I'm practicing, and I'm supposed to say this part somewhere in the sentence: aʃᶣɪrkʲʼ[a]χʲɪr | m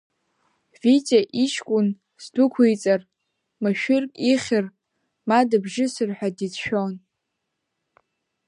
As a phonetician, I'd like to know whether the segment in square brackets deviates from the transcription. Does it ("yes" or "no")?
yes